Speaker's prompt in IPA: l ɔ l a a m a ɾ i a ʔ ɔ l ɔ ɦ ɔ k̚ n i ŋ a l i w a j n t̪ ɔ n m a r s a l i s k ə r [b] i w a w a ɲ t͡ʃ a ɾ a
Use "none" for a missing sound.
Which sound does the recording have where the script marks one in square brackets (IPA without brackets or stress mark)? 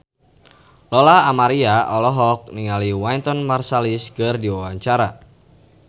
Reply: d